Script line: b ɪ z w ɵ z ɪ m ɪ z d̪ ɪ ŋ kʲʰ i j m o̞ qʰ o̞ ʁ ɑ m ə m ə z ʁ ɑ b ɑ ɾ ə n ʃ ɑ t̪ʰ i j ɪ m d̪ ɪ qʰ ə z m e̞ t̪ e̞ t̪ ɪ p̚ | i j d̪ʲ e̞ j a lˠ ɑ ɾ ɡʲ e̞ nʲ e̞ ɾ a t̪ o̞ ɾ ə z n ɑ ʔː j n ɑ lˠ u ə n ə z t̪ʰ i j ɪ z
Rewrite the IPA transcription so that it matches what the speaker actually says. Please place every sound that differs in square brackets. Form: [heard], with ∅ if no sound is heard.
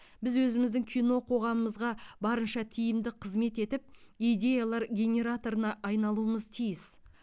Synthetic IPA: b ɪ z w ɵ z ɪ m ɪ z d̪ ɪ ŋ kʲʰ i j [n] o̞ qʰ o̞ ʁ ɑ m ə m ə z ʁ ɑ b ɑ ɾ ə n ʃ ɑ t̪ʰ i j ɪ m d̪ ɪ qʰ ə z m e̞ t̪ e̞ t̪ ɪ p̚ | i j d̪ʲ e̞ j a lˠ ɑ ɾ ɡʲ e̞ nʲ e̞ ɾ a t̪ o̞ ɾ ə [∅] n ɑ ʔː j n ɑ lˠ u ə [m] ə z t̪ʰ i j ɪ [s]